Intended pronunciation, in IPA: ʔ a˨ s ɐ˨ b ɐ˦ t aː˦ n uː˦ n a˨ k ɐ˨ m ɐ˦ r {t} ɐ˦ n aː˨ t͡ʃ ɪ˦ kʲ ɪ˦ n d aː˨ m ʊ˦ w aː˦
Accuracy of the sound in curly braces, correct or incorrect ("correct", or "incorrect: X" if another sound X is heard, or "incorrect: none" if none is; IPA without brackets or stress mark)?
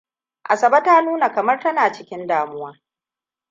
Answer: correct